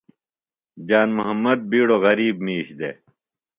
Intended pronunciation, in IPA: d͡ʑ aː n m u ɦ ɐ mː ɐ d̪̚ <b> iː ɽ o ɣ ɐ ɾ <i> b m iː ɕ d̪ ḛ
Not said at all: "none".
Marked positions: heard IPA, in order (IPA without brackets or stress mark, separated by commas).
b, iː